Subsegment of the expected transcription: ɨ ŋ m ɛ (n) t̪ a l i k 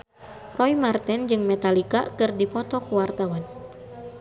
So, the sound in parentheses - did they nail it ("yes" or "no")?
no